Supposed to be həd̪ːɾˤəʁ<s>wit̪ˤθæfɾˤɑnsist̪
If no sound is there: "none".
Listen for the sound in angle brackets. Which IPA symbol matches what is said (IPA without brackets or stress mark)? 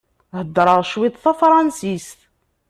ʃ